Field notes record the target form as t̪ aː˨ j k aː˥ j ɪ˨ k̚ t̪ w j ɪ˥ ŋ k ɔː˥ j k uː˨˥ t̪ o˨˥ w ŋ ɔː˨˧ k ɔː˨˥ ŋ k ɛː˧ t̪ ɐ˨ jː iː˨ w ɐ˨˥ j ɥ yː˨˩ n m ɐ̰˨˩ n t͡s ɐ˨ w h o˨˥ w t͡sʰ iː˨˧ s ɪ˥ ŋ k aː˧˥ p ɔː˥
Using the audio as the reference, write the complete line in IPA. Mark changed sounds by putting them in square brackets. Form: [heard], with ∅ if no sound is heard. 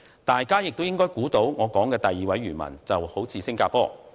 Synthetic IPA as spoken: t̪ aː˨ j k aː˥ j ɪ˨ k̚ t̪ w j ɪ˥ ŋ k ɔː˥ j k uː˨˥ t̪ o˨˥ w ŋ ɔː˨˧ k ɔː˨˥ ŋ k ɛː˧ t̪ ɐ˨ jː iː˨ w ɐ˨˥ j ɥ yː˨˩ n m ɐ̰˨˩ n t͡s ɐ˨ w h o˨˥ w t͡sʰ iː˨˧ s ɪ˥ ŋ k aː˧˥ p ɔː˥